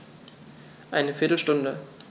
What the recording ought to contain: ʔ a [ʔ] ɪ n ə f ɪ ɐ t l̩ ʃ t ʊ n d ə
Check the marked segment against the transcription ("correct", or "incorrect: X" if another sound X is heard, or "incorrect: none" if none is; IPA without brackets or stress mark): incorrect: none